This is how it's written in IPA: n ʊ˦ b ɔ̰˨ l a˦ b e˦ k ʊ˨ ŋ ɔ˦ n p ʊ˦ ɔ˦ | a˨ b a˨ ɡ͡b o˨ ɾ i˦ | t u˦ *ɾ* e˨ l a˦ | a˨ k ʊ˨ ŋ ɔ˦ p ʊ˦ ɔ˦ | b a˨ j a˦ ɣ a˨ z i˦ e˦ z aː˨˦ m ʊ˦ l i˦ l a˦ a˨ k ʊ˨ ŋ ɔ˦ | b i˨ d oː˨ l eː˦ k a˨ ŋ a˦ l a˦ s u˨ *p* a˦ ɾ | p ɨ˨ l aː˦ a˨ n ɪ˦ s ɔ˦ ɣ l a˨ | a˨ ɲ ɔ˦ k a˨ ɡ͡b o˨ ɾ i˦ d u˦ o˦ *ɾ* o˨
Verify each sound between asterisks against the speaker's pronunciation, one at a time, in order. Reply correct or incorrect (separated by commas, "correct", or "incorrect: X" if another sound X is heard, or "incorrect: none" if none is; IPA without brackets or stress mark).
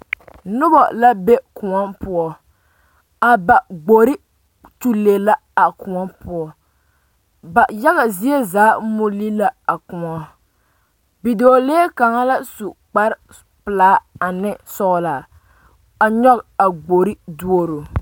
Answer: incorrect: l, incorrect: k͡p, correct